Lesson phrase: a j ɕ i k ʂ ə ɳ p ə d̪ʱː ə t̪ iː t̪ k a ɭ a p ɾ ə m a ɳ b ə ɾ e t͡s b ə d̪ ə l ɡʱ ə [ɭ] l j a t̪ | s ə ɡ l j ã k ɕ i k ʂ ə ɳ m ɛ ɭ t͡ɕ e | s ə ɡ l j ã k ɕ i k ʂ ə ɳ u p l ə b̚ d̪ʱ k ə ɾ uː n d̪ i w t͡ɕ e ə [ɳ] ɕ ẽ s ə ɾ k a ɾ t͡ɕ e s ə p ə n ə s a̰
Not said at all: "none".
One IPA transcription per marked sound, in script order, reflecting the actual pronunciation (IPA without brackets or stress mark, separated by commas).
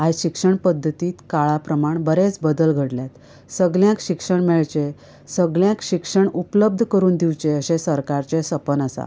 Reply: ɽ, none